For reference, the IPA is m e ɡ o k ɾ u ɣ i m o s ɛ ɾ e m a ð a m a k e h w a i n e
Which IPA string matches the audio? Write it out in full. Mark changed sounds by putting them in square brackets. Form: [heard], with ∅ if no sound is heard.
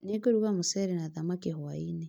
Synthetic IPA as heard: [n] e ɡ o [∅] ɾ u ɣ [a] m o s ɛ ɾ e [n] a ð a m a k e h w a i n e